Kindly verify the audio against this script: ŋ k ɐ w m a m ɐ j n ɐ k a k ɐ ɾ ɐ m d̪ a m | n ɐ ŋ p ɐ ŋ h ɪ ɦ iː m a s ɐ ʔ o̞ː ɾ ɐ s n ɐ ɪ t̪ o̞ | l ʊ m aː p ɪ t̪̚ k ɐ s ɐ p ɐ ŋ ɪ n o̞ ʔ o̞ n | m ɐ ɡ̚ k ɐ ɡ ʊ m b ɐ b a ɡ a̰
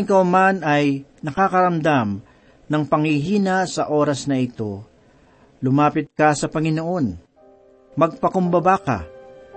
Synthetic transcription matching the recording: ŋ k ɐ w m a n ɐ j n ɐ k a k ɐ ɾ ɐ m d̪ a m | n ɐ ŋ p ɐ ŋ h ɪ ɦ iː n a s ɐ ʔ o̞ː ɾ ɐ s n ɐ ɪ t̪ o̞ | l ʊ m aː p ɪ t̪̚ k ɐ s ɐ p ɐ ŋ ɪ n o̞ ʔ o̞ n | m ɐ ɡ̚ p ɐ k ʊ m b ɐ b a k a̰